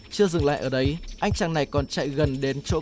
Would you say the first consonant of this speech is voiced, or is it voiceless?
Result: voiceless